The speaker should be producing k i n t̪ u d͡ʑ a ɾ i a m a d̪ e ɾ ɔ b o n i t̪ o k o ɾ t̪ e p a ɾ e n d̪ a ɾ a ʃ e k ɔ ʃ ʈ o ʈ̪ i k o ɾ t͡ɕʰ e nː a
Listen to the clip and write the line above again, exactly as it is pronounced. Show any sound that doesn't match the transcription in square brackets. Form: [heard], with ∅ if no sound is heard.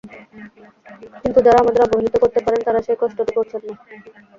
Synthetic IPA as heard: k i n t̪ u d͡ʑ a ɾ [a] a m a d̪ e ɾ ɔ b o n i t̪ o k o ɾ t̪ e p a ɾ e n [t̪] a ɾ a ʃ e k ɔ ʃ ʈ o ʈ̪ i k o ɾ t͡ɕʰ e nː a

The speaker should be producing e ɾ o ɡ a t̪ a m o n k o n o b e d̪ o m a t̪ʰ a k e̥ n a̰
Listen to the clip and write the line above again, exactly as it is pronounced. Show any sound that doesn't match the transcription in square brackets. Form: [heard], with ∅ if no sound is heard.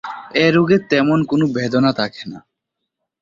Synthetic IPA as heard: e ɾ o ɡ [e] t̪ [ɛ] m o n k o n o b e d̪ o [n] a t̪ʰ a k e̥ n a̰

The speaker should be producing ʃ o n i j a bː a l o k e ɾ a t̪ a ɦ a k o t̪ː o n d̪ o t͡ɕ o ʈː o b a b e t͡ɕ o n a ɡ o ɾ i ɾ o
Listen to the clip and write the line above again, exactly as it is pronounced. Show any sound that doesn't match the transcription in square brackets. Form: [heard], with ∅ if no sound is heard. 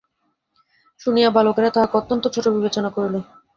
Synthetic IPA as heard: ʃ [u] n i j a [b] a l o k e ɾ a t̪ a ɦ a k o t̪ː o n [t̪] o [t͡ɕʰ] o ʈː o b [i] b e t͡ɕ o n a [k] o ɾ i [l] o

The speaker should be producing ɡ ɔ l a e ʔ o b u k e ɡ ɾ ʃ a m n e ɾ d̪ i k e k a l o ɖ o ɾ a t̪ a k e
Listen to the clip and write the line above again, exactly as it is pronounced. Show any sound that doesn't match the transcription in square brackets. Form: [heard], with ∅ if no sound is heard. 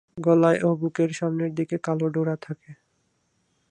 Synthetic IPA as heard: ɡ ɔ l a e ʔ o b u k e [∅] ɾ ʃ a m n e ɾ d̪ i k e k a l o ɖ o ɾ a [t̪ʰ] a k e

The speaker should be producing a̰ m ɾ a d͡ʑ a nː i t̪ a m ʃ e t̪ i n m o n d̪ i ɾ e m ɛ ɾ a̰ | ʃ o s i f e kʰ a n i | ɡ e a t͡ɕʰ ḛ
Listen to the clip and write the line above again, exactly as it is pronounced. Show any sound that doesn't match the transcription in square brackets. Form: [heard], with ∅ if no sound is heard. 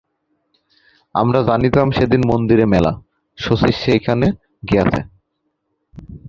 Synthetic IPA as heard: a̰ m ɾ a d͡ʑ a [n] i t̪ a m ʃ e [d̪] i n m o n d̪ i ɾ e m ɛ [l] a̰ | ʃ o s i [ʃ] e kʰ a n [e] | ɡ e a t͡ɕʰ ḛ

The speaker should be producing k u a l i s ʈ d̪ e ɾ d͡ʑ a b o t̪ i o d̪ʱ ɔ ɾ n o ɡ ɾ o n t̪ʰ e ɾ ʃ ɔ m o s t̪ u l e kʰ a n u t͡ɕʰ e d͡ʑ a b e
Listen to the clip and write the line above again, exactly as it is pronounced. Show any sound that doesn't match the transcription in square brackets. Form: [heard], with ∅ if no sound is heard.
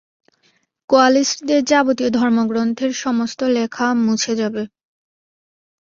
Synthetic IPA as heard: k [o] a l i s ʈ d̪ e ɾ d͡ʑ a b o t̪ i o d̪ʱ ɔ ɾ [m] o ɡ ɾ o n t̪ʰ e ɾ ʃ ɔ m o s t̪ [o] l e kʰ a [m] u t͡ɕʰ e d͡ʑ a b e

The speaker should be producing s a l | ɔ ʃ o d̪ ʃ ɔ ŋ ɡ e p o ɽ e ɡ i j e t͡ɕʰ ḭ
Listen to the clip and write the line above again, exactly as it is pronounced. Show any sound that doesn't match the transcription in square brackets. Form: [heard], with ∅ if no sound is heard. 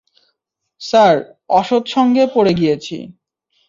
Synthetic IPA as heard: s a [ɾ] | ɔ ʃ o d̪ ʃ ɔ ŋ ɡ e p o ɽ e ɡ i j e t͡ɕʰ ḭ

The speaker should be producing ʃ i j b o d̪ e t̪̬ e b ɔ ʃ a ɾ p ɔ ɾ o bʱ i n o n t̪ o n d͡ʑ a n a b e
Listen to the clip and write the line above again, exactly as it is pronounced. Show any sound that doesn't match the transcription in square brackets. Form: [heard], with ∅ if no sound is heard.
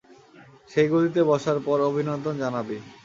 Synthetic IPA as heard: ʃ [e] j [ɡ] o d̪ [i] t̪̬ e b ɔ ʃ a ɾ p ɔ ɾ o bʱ i n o n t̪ o n d͡ʑ a n a b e

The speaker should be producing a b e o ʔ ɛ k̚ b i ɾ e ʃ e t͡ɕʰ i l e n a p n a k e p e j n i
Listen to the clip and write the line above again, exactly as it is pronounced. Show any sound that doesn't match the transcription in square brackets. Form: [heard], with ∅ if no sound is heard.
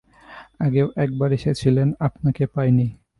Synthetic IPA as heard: a [ɡ] e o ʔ ɛ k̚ b [a] ɾ e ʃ e t͡ɕʰ i l e n a p n a k e p [a] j n i

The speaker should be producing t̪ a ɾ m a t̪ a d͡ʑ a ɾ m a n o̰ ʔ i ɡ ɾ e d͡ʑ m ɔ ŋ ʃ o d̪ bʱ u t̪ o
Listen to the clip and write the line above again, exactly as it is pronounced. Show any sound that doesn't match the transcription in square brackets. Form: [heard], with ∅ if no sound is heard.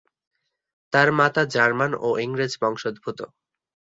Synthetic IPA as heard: t̪ a ɾ m a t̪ a d͡ʑ a ɾ m a n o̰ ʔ i [ŋ] ɾ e d͡ʑ [b] ɔ ŋ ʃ o d̪ bʱ u t̪ o

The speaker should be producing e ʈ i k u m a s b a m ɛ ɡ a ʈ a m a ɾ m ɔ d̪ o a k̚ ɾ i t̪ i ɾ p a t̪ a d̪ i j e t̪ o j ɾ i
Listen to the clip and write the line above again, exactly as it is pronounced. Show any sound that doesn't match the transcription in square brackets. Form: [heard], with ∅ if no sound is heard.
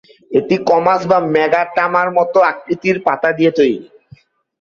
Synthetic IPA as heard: e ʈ i k [ɔ] m a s b a m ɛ ɡ a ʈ a m a ɾ m ɔ [t̪] o a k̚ ɾ i t̪ i ɾ p a t̪ a d̪ i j e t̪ o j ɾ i

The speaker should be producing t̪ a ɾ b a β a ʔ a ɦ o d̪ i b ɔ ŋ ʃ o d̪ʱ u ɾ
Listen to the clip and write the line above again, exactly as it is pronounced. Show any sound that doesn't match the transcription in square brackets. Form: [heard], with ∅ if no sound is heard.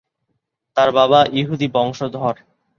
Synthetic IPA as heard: t̪ a ɾ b a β a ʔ [i] ɦ [u] d̪ i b ɔ ŋ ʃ o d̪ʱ [ɔ] ɾ

